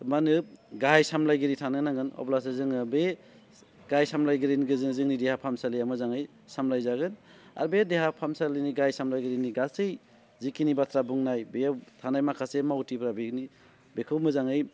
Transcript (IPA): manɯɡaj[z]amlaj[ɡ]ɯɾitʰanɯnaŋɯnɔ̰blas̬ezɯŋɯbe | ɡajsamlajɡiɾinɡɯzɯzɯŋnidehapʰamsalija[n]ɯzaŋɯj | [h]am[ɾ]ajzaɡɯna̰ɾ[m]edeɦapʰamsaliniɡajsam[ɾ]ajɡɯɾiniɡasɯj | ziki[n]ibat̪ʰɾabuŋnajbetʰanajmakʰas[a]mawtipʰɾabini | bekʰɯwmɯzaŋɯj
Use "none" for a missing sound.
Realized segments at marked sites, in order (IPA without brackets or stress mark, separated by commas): s, ɡ, m, s, l, b, l, n, e